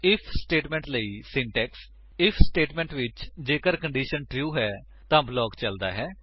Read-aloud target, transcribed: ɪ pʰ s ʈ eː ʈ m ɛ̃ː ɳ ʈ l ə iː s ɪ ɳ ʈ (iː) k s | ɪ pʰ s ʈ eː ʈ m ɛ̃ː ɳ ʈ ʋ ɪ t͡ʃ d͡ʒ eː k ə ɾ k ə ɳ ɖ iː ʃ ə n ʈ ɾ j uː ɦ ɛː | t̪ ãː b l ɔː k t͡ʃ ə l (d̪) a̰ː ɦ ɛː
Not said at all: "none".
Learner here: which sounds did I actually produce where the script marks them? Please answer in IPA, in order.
ɛː, d̪

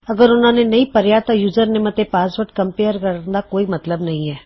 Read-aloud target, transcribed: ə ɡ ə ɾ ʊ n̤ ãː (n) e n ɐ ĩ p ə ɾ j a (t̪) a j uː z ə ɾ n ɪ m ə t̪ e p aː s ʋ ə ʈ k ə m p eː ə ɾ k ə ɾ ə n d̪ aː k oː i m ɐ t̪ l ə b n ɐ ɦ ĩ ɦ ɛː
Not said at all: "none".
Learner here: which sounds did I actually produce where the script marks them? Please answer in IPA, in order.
n, t̪

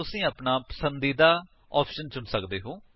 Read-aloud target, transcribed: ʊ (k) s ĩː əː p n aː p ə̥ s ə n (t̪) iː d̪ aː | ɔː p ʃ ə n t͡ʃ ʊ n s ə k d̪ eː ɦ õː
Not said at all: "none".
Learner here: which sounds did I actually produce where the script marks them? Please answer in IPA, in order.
none, d̪

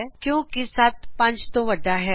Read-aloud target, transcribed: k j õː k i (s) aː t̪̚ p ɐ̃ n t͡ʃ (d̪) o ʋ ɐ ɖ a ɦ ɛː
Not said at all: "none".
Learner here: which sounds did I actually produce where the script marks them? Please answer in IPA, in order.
s, t̪

